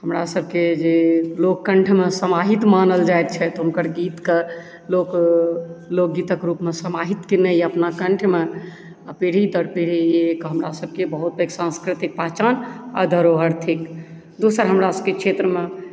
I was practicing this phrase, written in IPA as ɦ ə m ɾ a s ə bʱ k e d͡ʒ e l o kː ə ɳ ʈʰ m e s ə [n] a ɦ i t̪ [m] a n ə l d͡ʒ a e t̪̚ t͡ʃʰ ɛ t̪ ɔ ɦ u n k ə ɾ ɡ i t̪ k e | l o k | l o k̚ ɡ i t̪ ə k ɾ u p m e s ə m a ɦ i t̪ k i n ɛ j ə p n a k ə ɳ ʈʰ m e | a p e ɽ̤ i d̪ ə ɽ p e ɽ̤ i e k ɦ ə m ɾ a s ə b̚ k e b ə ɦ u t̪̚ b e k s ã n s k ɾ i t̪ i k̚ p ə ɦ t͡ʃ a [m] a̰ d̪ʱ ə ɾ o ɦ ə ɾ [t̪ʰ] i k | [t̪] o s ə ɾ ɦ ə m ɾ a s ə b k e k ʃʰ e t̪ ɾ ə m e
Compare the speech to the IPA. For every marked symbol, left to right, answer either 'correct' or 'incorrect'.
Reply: incorrect, correct, incorrect, correct, incorrect

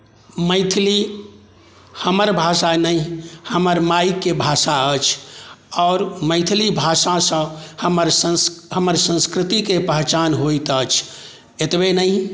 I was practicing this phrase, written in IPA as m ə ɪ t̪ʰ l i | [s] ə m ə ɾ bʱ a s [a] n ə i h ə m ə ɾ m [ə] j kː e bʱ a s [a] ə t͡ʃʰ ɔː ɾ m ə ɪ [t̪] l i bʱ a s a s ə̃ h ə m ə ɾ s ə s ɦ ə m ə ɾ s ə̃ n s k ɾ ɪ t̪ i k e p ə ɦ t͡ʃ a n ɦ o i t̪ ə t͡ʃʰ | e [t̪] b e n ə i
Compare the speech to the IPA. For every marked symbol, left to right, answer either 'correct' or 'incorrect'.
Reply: incorrect, correct, incorrect, correct, incorrect, correct

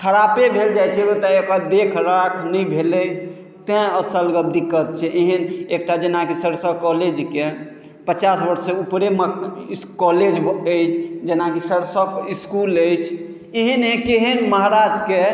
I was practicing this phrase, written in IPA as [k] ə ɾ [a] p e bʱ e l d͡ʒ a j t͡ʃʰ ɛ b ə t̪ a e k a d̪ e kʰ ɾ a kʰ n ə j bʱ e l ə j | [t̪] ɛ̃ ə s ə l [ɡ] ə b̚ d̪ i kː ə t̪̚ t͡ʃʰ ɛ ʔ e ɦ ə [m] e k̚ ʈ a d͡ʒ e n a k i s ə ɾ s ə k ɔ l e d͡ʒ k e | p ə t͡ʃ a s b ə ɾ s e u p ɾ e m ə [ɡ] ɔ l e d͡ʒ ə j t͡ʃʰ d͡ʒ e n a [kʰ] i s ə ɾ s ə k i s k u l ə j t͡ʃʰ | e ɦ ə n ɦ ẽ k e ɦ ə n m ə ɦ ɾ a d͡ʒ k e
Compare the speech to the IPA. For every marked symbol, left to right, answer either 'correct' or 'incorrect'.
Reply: incorrect, correct, correct, correct, incorrect, incorrect, incorrect

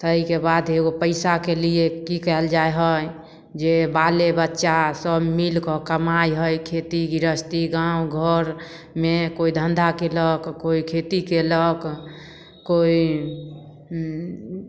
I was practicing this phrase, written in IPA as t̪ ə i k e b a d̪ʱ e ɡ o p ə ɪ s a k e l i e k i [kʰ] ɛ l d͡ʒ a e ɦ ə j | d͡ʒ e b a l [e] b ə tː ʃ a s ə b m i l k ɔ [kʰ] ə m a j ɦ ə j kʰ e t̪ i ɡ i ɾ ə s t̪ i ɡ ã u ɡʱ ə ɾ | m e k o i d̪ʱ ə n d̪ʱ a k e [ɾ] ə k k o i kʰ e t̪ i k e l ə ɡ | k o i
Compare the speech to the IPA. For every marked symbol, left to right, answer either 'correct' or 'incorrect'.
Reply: incorrect, correct, incorrect, incorrect

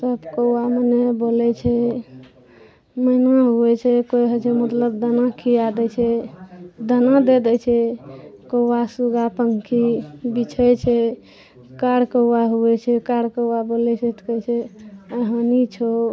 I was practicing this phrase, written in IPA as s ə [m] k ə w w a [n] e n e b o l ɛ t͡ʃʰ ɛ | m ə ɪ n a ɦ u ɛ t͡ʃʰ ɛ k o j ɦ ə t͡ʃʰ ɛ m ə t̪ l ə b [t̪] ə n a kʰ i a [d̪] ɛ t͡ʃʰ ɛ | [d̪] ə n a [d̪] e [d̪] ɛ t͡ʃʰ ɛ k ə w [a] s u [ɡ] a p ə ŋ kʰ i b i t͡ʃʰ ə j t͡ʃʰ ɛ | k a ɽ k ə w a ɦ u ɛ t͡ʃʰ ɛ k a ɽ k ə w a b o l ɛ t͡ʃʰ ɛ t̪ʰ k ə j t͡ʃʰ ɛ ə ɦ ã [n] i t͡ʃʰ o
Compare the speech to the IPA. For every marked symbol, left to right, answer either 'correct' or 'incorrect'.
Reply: incorrect, incorrect, incorrect, correct, correct, correct, correct, correct, correct, correct

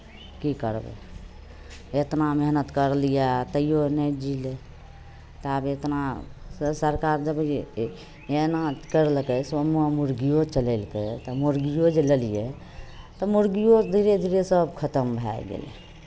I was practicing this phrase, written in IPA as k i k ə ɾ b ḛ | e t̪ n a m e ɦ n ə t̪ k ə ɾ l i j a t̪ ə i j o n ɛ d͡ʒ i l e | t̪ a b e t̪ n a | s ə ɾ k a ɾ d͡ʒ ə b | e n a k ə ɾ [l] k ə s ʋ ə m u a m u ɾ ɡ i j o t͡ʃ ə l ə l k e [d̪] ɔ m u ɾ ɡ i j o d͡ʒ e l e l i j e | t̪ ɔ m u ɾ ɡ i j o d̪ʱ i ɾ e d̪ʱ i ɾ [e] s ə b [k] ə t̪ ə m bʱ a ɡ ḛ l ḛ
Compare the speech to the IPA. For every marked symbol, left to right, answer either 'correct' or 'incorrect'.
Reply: correct, incorrect, correct, incorrect

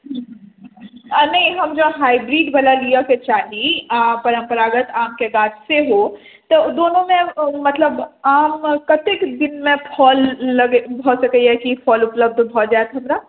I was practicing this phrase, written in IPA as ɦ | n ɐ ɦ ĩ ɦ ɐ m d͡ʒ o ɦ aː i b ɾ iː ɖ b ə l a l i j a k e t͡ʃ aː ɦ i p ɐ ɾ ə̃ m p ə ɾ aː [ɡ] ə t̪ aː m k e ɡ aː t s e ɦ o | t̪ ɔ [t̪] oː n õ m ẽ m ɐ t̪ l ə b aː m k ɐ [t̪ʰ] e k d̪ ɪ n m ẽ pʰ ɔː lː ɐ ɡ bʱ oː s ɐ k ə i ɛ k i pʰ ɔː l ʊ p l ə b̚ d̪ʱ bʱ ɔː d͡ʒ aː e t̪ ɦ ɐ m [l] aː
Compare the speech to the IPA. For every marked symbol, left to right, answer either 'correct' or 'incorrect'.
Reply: correct, incorrect, incorrect, incorrect

